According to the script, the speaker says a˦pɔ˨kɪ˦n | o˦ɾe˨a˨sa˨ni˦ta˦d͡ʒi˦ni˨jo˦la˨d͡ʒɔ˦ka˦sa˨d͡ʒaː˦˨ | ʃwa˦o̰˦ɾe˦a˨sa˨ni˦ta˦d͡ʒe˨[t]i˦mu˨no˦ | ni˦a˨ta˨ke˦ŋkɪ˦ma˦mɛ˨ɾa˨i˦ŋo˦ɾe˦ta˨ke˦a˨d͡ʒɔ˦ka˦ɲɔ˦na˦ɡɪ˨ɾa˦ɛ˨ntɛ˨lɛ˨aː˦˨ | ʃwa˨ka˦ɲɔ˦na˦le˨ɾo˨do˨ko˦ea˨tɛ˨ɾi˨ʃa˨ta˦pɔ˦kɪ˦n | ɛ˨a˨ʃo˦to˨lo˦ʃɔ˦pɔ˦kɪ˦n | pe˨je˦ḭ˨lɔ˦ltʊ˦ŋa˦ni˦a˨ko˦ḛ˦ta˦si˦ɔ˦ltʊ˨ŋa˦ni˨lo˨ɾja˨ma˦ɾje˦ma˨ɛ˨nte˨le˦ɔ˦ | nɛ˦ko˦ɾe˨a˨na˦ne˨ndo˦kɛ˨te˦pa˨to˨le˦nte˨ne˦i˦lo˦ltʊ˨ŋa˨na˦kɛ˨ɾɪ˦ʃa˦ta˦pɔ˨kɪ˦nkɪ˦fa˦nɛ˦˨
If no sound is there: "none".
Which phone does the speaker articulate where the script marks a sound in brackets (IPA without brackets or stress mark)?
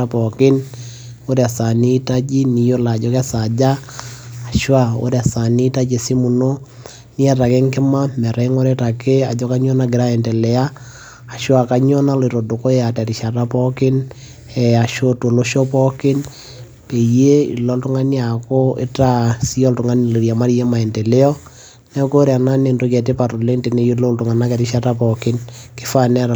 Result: s